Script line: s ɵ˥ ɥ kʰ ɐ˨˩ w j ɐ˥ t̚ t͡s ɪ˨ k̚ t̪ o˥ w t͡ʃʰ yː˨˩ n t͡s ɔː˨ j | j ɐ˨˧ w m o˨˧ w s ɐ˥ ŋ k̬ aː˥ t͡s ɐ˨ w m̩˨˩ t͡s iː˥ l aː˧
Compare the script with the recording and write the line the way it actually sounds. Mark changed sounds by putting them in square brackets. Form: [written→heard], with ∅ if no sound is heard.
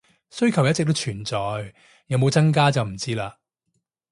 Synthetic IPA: s ɵ˥ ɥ kʰ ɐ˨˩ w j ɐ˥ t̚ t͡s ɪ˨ k̚ t̪ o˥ w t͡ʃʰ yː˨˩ n t͡s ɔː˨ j | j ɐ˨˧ w m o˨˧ w [s→t͡s] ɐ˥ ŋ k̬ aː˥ t͡s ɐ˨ w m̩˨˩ t͡s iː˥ l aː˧

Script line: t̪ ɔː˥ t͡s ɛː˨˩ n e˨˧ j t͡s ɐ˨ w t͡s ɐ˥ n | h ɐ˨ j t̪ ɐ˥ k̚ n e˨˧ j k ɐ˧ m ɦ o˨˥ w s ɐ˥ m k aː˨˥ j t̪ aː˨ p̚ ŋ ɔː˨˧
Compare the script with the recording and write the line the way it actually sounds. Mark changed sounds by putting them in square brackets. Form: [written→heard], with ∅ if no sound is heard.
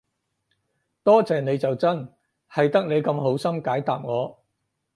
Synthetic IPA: t̪ ɔː˥ t͡s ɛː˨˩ n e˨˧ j t͡s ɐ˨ w t͡s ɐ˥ n | h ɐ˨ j t̪ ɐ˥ k̚ n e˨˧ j k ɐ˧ m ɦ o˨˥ w s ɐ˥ m k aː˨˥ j t̪ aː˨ p̚ ŋ ɔː˨˧

